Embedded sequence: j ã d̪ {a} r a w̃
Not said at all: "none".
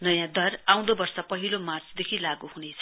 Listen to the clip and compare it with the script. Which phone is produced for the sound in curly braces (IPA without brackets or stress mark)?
ʌ